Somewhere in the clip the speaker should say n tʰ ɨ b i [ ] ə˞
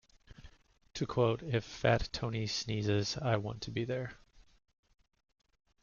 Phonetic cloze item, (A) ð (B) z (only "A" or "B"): A